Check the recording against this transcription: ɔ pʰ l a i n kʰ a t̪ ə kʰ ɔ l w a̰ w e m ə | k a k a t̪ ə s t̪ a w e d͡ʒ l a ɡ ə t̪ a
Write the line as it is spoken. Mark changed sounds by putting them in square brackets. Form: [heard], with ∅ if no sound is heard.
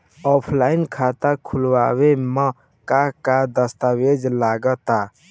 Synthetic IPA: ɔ pʰ l a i n kʰ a t̪ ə kʰ [u] l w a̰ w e m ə | k a k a [d̪] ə s t̪ a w e d͡ʒ l a ɡ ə t̪ a